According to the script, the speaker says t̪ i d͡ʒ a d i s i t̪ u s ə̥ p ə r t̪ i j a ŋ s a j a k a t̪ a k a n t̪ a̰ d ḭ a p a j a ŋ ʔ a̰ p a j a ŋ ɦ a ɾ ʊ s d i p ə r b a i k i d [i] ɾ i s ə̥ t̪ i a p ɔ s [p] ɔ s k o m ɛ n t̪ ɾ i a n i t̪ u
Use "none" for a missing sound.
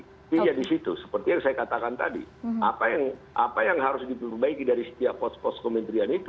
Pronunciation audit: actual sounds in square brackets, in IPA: a, p

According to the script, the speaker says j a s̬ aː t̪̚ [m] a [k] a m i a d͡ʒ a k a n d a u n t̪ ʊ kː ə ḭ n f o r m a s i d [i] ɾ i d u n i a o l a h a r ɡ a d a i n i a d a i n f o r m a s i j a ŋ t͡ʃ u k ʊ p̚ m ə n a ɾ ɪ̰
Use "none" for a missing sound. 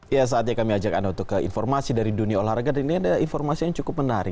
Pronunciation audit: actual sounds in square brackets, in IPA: ɲ, k, a

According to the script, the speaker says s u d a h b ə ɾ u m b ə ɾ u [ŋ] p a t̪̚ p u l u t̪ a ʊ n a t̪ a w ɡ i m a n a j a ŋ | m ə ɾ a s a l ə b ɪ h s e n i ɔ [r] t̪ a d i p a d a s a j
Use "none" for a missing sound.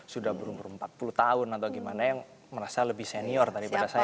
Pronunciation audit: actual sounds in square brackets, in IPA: m, r

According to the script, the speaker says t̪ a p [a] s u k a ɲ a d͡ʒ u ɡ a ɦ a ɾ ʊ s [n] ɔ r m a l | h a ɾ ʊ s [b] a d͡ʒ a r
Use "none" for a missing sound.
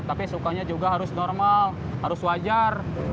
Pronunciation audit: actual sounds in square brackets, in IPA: i, n, w

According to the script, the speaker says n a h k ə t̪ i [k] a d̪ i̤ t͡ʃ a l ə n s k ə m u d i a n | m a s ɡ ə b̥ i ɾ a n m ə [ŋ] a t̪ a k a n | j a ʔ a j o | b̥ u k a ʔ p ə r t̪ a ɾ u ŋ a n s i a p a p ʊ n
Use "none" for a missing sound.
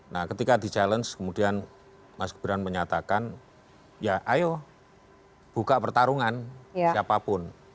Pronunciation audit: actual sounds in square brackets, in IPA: k, ɲ

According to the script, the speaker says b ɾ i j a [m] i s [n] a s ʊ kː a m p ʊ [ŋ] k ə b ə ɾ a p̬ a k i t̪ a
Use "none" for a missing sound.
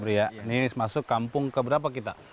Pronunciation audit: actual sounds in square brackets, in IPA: n, m, ŋ

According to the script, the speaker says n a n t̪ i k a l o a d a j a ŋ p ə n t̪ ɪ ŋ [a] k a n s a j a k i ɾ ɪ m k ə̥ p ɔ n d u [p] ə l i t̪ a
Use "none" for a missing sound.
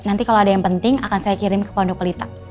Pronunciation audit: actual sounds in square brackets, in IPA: a, p

